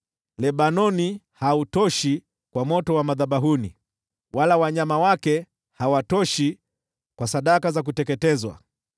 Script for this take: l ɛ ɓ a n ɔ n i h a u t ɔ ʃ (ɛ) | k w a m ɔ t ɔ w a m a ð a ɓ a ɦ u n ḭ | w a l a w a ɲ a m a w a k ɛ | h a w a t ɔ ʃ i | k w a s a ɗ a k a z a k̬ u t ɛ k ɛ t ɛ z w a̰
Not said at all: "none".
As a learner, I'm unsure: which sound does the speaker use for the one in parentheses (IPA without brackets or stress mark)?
i